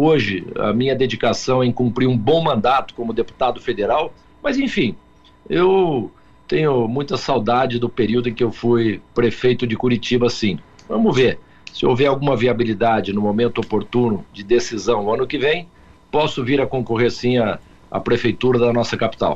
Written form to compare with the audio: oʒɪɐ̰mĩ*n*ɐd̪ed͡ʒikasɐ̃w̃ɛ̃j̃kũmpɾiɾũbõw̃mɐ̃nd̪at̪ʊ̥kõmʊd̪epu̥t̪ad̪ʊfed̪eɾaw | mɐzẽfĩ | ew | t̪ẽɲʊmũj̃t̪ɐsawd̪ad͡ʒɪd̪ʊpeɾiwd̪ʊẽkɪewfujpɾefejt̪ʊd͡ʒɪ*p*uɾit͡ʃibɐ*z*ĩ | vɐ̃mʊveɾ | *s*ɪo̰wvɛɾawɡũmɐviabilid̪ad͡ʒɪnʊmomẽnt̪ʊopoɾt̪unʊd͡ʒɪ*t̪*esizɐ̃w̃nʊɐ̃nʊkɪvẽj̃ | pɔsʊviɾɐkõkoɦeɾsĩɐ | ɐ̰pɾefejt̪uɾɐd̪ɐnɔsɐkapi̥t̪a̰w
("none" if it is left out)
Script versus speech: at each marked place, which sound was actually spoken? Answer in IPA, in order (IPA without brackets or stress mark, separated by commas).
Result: ɲ, k, s, s, d̪